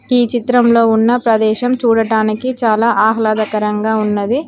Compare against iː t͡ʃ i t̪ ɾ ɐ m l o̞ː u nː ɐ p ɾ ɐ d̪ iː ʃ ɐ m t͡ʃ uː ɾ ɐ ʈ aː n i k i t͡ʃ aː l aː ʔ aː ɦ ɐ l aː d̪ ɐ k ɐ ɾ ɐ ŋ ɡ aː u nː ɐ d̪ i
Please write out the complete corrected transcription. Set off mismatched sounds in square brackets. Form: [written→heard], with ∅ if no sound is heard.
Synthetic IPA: iː t͡ʃ i t̪ ɾ ɐ m l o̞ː u nː ɐ p ɾ ɐ d̪ [iː→ɛː] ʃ ɐ m t͡ʃ uː [ɾ→ɽ] ɐ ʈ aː n i k i t͡ʃ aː l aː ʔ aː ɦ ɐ l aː d̪ ɐ k ɐ ɾ ɐ ŋ ɡ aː u nː ɐ d̪ i